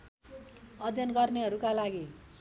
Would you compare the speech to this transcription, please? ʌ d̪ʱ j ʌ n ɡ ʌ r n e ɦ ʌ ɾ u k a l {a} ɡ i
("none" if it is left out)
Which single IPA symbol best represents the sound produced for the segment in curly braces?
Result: a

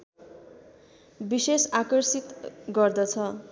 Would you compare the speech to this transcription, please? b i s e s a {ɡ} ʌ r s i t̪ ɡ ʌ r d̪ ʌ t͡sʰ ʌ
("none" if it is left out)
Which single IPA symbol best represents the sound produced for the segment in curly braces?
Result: k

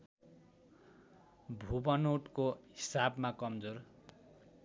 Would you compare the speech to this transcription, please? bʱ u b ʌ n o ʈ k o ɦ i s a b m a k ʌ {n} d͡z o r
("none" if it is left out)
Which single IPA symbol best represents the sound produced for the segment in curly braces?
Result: m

